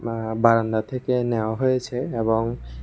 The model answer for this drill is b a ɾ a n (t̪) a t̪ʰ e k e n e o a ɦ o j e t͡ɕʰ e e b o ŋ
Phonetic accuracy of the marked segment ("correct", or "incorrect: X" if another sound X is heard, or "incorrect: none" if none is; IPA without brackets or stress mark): incorrect: d̪